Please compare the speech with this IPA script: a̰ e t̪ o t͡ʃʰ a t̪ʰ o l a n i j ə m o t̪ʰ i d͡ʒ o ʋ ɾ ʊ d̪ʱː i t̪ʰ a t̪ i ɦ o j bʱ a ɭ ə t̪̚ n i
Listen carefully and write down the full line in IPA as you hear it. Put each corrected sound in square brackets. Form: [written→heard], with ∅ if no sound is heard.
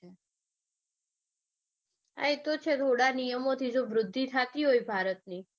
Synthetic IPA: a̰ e t̪ o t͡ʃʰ [a→e] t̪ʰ o [l→ɽ] a n i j ə m o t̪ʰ i d͡ʒ o ʋ ɾ ʊ d̪ʱː i t̪ʰ a t̪ i ɦ o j bʱ a [ɭ→ɾ] ə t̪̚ n i